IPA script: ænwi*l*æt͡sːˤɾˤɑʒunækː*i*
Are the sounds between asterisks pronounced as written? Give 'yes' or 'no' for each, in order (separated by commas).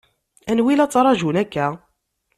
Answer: yes, no